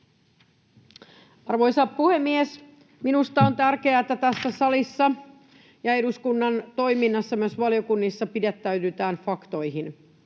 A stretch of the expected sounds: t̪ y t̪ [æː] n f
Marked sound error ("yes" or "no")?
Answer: no